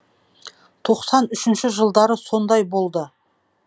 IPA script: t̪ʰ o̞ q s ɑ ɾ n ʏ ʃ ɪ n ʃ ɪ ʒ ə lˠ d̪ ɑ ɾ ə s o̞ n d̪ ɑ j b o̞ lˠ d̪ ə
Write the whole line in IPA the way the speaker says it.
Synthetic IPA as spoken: t̪ʰ o̞ q s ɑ n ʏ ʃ ɪ n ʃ ɪ ʒ ə lˠ d̪ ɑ ɾ ə s o̞ n d̪ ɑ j b o̞ lˠ d̪ ə